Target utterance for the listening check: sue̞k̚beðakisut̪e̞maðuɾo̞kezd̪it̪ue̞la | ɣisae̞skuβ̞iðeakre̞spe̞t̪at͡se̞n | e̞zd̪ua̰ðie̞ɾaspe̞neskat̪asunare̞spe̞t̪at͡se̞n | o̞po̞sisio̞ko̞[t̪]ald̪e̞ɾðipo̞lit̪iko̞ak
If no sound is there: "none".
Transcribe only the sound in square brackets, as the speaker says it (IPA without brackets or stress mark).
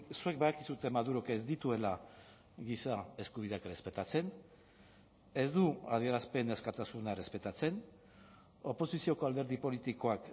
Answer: none